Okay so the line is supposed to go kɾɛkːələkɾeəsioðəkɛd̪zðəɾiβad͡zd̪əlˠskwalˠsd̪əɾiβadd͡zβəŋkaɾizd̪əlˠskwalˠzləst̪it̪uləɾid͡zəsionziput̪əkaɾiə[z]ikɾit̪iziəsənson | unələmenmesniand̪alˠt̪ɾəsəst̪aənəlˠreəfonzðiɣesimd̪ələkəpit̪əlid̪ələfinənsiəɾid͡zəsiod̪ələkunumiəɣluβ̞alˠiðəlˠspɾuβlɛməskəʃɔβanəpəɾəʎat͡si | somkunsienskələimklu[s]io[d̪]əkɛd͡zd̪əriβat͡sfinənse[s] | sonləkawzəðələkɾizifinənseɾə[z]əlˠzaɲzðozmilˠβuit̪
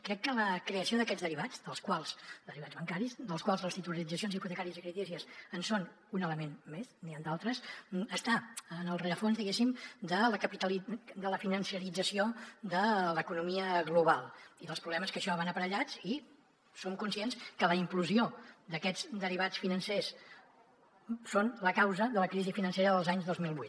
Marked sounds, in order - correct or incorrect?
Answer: correct, incorrect: z, correct, correct, incorrect: ð

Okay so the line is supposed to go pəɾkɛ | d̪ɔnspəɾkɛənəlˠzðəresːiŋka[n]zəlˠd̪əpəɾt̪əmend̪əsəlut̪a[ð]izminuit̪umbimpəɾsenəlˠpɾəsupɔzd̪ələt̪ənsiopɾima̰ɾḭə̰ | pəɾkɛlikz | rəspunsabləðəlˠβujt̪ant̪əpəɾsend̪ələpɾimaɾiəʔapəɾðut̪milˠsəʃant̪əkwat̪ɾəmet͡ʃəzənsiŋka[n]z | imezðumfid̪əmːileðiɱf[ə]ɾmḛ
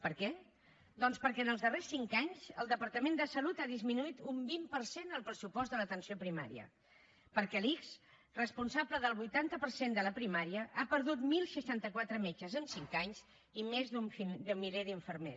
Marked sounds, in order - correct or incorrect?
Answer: incorrect: ɲ, correct, incorrect: ɲ, correct

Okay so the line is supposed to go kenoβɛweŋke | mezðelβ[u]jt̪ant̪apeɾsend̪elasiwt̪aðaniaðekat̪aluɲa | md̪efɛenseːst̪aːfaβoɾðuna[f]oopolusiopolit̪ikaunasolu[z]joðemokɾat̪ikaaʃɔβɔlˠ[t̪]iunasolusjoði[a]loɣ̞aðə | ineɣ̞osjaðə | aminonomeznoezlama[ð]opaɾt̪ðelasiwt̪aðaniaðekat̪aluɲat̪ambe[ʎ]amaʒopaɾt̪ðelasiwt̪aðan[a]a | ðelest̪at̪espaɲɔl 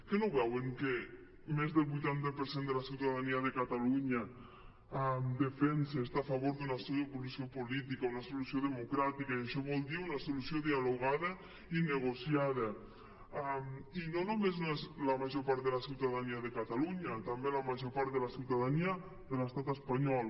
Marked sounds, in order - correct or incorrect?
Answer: correct, incorrect: s, incorrect: s, incorrect: d̪, correct, incorrect: ʒ, incorrect: l, incorrect: i

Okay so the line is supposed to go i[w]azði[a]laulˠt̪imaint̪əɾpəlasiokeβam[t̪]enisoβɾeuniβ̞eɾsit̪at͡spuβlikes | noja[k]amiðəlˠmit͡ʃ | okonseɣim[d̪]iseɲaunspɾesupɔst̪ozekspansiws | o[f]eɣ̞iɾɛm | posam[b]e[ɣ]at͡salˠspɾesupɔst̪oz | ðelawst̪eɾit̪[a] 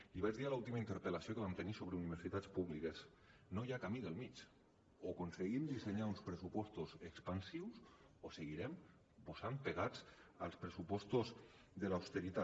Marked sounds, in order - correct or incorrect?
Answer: incorrect: β, correct, correct, correct, correct, incorrect: s, incorrect: p, correct, correct

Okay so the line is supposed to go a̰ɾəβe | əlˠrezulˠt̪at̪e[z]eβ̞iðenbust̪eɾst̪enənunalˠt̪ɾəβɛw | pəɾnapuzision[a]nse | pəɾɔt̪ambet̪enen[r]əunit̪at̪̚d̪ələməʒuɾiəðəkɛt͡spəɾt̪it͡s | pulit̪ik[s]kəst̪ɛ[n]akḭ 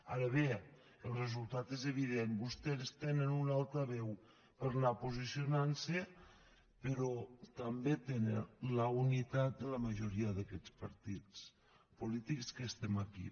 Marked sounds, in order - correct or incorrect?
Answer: correct, correct, incorrect: l, correct, incorrect: m

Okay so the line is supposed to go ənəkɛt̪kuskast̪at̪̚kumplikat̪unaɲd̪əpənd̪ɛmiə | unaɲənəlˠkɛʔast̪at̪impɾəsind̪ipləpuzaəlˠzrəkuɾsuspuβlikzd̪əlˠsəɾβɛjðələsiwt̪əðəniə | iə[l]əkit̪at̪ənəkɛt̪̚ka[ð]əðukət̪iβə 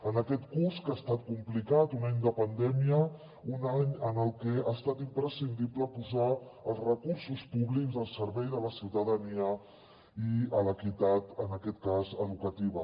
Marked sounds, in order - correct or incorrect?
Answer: correct, incorrect: z

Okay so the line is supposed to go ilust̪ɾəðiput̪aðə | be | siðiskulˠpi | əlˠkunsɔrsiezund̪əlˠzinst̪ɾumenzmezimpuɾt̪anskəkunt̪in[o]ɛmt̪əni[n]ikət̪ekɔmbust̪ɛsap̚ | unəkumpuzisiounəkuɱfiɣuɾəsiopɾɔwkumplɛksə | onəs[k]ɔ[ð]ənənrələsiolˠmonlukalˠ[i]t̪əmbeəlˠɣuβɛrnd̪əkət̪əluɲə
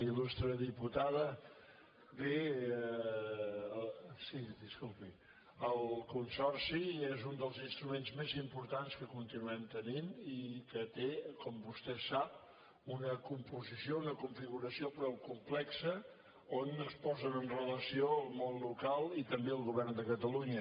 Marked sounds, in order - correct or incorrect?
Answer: incorrect: u, correct, incorrect: p, incorrect: z, correct

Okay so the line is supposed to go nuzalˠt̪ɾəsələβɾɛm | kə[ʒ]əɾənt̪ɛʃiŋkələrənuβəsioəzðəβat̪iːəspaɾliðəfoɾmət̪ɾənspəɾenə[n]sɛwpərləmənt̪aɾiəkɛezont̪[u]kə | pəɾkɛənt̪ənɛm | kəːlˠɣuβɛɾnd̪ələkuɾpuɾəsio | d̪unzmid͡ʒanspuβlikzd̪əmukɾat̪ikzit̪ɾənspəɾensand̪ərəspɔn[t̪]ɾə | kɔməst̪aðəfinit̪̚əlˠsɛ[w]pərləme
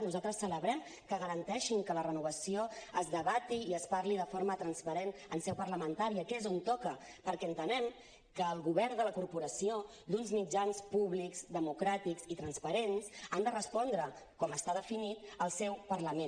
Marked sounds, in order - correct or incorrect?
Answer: incorrect: ɣ, correct, incorrect: ɔ, incorrect: d̪, correct

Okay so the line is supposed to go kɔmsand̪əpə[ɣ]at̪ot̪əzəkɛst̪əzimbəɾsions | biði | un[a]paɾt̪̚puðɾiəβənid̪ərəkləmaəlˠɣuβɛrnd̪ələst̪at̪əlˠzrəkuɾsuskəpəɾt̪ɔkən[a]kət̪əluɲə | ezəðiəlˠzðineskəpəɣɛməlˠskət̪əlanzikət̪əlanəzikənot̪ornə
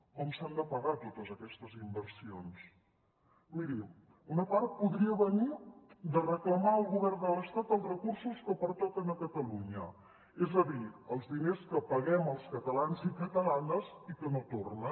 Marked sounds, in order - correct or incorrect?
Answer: correct, incorrect: ə, incorrect: ə

